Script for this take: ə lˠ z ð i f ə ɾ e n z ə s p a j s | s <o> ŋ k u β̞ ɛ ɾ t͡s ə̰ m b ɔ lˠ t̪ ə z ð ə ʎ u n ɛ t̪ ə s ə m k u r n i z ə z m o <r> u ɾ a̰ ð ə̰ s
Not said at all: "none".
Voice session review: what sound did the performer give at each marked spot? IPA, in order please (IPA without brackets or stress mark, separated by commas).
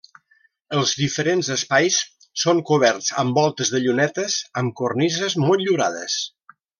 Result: o, ʎ